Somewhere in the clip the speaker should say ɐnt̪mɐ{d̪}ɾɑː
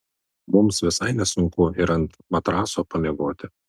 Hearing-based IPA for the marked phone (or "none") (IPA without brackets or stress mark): t̪